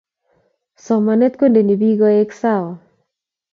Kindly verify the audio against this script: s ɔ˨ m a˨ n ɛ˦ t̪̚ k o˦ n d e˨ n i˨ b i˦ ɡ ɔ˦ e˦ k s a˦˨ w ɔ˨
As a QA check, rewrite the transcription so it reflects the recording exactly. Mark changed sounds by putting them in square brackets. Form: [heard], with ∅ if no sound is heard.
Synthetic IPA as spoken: s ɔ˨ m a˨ n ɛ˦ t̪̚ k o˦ n d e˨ n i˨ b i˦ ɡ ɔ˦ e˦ k s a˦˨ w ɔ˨